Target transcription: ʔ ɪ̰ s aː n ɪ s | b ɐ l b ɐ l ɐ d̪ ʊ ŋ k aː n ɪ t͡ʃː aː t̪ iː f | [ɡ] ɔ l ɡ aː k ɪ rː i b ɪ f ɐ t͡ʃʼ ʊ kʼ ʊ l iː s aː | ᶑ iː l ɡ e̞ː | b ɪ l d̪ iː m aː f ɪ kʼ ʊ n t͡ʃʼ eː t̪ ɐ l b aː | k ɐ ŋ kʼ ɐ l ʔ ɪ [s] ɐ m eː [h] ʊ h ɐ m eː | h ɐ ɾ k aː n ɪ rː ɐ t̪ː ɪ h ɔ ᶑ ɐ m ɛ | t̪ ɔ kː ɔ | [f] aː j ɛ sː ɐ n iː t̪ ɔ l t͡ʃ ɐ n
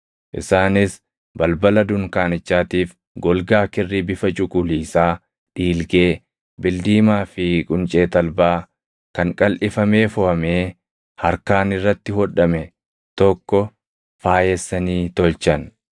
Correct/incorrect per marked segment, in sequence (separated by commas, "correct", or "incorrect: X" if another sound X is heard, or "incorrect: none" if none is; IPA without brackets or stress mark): correct, incorrect: f, incorrect: f, correct